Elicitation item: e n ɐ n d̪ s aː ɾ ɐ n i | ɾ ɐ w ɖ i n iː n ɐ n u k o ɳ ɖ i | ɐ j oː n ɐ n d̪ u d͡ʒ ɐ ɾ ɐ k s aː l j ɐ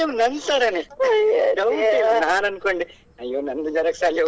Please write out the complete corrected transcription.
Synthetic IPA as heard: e n ɐ n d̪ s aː ɾ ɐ n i | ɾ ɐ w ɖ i n aː n ɐ n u k o ɳ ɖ i | ɐ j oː n ɐ n d̪ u d͡ʒ ɐ ɾ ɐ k s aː l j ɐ